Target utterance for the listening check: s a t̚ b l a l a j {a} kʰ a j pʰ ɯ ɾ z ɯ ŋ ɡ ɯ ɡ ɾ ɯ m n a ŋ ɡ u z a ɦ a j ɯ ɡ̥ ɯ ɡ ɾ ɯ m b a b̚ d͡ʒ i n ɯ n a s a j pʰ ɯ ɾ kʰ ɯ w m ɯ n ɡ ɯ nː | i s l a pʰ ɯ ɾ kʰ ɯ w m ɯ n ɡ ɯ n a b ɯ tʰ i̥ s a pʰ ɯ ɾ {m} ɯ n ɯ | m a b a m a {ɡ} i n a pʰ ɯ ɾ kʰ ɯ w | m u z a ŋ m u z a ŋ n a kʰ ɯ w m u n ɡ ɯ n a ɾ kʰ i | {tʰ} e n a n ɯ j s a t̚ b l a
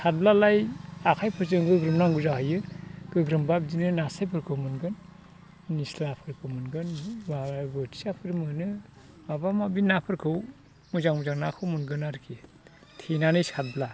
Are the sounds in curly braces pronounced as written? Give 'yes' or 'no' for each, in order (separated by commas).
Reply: yes, yes, no, yes